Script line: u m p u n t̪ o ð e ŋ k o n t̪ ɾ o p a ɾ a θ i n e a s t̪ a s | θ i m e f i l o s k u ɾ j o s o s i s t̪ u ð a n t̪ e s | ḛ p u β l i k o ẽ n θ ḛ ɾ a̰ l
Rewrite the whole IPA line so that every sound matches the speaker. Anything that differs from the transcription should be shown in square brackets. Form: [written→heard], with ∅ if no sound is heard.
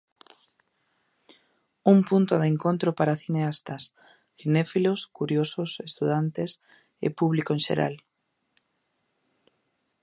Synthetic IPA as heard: u m p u n t̪ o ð e ŋ k o n t̪ ɾ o p a ɾ a θ i n e a s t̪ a s | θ i [m→n] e f i l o s k u ɾ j o s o s [i→e] s t̪ u ð a n t̪ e s | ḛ p u β l i k o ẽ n [θ→ʃ] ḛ ɾ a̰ l